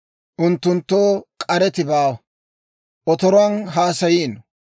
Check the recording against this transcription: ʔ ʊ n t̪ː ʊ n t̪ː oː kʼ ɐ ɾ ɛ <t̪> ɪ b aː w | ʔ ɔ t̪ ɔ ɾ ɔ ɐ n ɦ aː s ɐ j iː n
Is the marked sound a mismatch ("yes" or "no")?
no